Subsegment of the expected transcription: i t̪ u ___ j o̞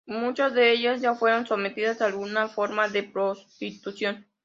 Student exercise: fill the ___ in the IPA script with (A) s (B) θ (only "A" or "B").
A